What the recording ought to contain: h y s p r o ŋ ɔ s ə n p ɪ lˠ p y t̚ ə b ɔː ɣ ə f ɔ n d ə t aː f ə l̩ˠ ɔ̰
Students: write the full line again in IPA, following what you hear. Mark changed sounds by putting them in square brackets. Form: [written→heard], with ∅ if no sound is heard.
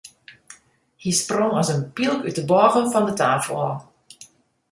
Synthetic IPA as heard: h [y→i] s p r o ŋ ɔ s ə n p [ɪ→i] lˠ [p→k] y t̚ ə b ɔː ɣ ə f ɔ n d ə t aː f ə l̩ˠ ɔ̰